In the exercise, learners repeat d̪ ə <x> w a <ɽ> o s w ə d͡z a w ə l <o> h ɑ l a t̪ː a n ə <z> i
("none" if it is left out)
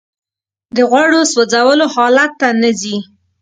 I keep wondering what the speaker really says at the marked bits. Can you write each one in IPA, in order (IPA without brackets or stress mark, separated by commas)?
ɣ, ɽ, o, z